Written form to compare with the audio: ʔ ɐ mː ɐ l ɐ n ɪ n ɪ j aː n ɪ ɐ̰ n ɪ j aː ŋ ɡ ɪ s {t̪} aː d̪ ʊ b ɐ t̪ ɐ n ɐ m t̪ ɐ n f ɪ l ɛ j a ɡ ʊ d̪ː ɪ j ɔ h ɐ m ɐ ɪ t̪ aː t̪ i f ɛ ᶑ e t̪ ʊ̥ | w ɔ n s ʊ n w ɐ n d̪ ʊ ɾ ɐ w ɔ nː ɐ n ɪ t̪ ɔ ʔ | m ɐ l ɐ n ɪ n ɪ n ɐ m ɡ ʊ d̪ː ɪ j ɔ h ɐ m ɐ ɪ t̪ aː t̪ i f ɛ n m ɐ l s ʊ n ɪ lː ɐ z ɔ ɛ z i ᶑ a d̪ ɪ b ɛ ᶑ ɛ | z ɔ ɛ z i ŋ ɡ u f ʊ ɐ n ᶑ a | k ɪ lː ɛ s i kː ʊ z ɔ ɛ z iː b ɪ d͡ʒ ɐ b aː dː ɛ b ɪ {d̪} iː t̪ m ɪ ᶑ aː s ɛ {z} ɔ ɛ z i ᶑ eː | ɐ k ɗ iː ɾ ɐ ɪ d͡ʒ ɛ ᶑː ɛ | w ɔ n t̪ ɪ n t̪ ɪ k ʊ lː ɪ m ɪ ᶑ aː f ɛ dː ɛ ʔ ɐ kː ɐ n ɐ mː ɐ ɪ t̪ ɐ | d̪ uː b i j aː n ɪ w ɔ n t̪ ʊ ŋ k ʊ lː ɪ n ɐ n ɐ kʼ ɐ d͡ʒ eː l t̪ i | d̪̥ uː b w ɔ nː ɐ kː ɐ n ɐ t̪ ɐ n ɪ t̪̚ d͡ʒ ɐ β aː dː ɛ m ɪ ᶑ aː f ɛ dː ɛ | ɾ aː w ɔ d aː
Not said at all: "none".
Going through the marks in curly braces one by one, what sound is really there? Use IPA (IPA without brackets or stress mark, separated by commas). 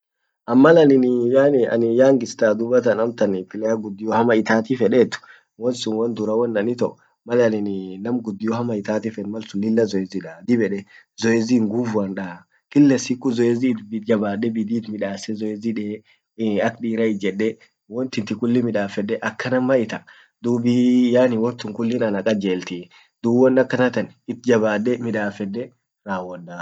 t̪, d̪, z